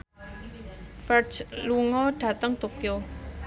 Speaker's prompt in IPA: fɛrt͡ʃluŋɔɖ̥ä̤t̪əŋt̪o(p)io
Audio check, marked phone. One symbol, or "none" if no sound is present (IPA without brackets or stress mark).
k